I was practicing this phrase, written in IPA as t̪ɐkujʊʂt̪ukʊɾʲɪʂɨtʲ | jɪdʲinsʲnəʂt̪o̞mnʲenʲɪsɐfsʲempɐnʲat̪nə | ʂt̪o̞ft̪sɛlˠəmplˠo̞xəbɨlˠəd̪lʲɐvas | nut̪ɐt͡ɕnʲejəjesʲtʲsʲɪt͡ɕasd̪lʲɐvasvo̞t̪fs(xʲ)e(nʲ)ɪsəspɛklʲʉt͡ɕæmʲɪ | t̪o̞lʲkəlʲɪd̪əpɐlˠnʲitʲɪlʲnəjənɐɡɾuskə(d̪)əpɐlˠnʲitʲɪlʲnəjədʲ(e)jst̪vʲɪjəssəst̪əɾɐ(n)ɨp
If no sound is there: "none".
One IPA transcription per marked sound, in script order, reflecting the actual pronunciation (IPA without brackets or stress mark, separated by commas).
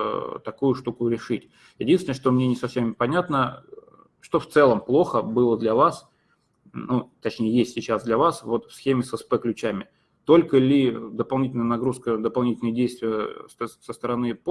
xʲ, mʲ, d̪, e, n